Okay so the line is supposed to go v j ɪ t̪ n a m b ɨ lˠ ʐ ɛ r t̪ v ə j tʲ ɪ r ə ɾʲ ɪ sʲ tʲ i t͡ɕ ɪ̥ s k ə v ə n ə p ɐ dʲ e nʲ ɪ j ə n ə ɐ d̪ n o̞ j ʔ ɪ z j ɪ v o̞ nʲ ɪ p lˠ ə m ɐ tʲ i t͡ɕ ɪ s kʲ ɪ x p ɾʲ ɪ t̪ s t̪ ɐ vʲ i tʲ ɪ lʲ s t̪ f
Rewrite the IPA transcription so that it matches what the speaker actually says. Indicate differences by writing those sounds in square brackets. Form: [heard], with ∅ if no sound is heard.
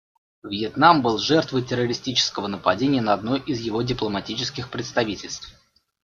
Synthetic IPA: v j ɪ t̪ n a m b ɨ lˠ ʐ ɛ r t̪ v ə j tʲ ɪ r ə ɾʲ ɪ sʲ tʲ i t͡ɕ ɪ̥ s k ə v ə n ə p ɐ dʲ e nʲ ɪ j ə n ə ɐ d̪ n o̞ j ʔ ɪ z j ɪ v o̞ [dʲ] ɪ p lˠ ə m ɐ tʲ i t͡ɕ ɪ s kʲ ɪ x p ɾʲ ɪ t̪ s t̪ ɐ vʲ i tʲ ɪ lʲ s t̪ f

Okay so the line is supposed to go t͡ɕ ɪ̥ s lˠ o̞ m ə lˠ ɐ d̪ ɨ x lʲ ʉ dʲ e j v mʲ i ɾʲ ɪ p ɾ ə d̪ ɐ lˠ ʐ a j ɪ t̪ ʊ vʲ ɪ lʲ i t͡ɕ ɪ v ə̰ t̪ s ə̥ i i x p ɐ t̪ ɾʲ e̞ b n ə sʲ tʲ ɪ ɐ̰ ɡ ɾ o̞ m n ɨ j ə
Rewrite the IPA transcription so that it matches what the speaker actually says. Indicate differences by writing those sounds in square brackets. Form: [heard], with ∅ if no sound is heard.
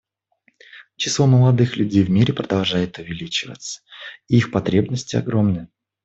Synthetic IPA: t͡ɕ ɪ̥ s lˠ o̞ m ə lˠ ɐ d̪ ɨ x lʲ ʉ dʲ e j v mʲ i ɾʲ ɪ p ɾ ə d̪ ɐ lˠ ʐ a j ɪ t̪ ʊ vʲ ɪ lʲ i t͡ɕ ɪ v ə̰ t̪ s ə̥ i i x p ɐ t̪ ɾʲ e̞ b n ə sʲ tʲ ɪ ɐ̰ ɡ ɾ o̞ m n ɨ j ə

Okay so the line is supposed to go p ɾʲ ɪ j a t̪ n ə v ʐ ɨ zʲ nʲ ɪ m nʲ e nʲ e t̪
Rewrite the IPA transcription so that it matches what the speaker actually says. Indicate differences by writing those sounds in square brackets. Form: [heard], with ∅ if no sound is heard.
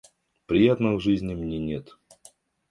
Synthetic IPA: p ɾʲ ɪ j a t̪ n ə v ʐ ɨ zʲ nʲ ɪ m nʲ e nʲ e t̪

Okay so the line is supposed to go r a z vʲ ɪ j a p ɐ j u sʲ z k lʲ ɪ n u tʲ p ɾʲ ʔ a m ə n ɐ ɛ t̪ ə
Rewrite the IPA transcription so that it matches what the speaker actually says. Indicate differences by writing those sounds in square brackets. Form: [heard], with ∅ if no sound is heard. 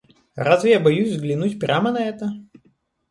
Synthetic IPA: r a z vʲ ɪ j a [b] ɐ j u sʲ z [ɡ] lʲ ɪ n u tʲ p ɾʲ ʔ a m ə n ɐ ɛ t̪ ə

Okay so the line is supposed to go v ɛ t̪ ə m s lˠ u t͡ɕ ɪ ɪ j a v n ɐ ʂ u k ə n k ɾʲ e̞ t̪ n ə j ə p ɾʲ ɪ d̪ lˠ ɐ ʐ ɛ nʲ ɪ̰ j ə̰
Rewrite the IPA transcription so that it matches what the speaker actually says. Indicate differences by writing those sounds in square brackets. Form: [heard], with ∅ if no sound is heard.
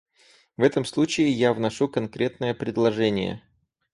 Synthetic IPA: v ɛ t̪ ə m s lˠ u t͡ɕ ɪ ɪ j a v n ɐ ʂ u k [ɐ] n k ɾʲ e̞ t̪ n ə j ə p ɾʲ ɪ d̪ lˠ ɐ ʐ ɛ nʲ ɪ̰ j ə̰

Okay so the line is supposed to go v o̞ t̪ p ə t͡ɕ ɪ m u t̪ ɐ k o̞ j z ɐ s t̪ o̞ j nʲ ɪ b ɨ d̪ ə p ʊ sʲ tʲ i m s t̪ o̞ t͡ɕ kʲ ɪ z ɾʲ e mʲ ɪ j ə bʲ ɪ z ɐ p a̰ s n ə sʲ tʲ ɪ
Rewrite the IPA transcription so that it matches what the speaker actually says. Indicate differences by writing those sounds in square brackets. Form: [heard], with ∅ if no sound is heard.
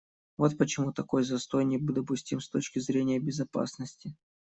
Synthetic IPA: v o̞ t̪ p ə t͡ɕ ɪ m u t̪ ɐ k o̞ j z ɐ s t̪ o̞ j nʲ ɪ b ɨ d̪ ə p ʊ sʲ tʲ i m s t̪ o̞ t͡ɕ kʲ ɪ z ɾʲ e [nʲ] ɪ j ə bʲ ɪ z ɐ p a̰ s n ə sʲ tʲ ɪ

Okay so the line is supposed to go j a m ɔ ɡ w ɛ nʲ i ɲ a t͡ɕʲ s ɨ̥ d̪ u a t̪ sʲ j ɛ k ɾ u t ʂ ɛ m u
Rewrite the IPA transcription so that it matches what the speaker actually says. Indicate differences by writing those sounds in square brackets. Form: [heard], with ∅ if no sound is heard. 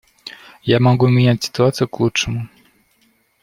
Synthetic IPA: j a m ɔ ɡ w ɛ [mʲ] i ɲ a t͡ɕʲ s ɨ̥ [t̪] u a t̪ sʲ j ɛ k [l] u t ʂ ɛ m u

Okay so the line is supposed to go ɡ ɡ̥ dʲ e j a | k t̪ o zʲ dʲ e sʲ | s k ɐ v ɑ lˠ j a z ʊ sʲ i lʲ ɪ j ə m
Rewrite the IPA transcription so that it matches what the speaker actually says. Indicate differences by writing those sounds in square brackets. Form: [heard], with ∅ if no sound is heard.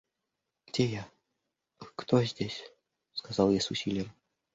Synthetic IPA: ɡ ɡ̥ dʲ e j a | k t̪ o zʲ dʲ e sʲ | s k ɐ [z] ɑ lˠ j a [s] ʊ sʲ i lʲ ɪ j ə m

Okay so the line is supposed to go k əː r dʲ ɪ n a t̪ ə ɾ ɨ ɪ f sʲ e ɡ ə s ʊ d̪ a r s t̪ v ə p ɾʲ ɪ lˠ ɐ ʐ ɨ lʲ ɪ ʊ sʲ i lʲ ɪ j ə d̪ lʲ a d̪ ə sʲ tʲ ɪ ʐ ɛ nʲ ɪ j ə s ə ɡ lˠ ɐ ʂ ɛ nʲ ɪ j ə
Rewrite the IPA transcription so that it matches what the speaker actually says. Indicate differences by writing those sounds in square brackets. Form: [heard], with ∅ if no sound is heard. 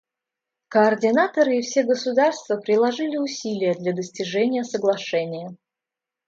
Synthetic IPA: k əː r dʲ ɪ n a t̪ ə ɾ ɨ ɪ f sʲ e ɡ ə s ʊ d̪ a r s t̪ v ə p ɾʲ ɪ lˠ ɐ ʐ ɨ lʲ ɪ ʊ sʲ i lʲ ɪ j ə d̪ lʲ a d̪ ə sʲ tʲ ɪ ʐ ɛ nʲ ɪ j ə s ə ɡ lˠ ɐ ʂ ɛ nʲ ɪ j ə

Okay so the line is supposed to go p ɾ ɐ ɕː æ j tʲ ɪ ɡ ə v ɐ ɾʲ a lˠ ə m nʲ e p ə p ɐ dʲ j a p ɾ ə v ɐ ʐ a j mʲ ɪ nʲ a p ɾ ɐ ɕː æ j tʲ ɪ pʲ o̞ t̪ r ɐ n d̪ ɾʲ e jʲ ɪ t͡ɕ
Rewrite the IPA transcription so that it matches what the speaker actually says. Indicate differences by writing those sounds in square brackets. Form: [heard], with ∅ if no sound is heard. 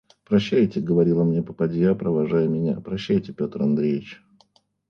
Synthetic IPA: p ɾ ɐ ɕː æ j tʲ ɪ ɡ ə v ɐ ɾʲ [i] lˠ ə m nʲ e p ə p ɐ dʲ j a p ɾ ə v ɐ ʐ a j mʲ ɪ nʲ a p ɾ ɐ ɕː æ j tʲ ɪ pʲ o̞ t̪ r ɐ n d̪ ɾʲ e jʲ ɪ t͡ɕ

